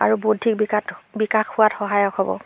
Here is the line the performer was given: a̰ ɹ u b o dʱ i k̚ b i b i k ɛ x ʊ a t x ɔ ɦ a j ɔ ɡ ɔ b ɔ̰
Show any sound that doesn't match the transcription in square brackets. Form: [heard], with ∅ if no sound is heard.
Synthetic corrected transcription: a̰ ɹ u b o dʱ i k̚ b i b i k [a] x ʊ a t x ɔ ɦ a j ɔ [k] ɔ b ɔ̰